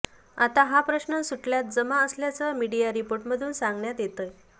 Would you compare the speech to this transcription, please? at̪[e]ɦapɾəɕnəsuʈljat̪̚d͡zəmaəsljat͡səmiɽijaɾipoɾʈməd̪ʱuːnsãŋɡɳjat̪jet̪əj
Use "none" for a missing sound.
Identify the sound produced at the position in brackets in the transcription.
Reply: a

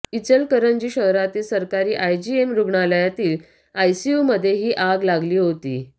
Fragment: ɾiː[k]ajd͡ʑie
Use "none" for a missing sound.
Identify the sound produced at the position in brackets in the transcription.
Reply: ʔ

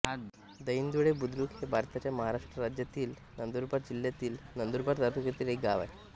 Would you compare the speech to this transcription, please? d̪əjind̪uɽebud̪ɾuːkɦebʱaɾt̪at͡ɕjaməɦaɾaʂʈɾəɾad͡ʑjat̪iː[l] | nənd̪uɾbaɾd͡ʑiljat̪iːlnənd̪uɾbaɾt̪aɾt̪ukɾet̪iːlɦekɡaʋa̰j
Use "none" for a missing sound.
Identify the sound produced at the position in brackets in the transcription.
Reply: l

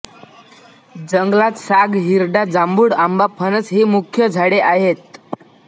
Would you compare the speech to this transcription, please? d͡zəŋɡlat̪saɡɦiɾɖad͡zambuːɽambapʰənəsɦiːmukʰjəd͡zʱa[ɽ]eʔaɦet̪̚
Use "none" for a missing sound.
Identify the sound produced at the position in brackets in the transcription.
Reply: ɽ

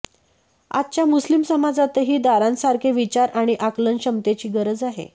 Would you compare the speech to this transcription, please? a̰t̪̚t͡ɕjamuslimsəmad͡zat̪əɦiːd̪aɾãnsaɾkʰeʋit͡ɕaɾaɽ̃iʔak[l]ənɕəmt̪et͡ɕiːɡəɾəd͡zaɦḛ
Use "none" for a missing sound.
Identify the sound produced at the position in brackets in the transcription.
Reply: l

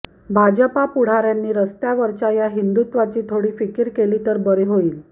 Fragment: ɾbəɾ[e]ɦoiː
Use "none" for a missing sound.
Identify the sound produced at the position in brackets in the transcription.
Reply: e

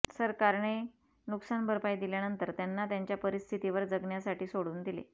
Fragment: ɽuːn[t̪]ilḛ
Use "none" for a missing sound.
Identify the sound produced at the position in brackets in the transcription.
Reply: d̪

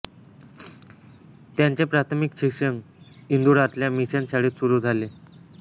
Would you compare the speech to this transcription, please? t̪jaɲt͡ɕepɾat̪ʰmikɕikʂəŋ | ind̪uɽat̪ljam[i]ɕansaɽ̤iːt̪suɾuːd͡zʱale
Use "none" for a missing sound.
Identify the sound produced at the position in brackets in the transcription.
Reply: i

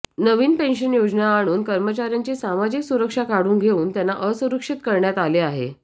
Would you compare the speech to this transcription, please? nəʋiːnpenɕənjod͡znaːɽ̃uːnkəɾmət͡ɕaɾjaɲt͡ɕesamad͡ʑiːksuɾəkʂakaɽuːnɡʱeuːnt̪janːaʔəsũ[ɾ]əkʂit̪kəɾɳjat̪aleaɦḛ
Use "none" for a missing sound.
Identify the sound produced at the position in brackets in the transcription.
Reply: ɾ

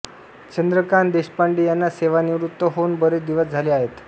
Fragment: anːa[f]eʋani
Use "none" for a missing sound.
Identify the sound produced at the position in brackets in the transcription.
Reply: s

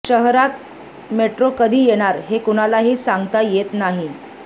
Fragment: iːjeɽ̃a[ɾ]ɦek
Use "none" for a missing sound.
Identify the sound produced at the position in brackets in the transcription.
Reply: ɾ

